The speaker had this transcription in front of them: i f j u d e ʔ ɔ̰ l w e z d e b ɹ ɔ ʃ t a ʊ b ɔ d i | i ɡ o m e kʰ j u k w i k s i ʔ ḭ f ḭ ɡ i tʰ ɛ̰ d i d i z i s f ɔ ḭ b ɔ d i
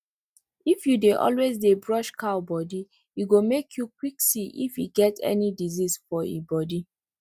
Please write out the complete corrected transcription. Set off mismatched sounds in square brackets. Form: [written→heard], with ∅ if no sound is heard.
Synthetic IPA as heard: i f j u d e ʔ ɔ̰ l w e z d e b ɹ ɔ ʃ [t→k] a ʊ b ɔ d i | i ɡ o m e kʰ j u k w i k s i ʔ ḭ f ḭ ɡ [i→ɛ] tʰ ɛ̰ [d→n] i d i z i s f ɔ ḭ b ɔ d i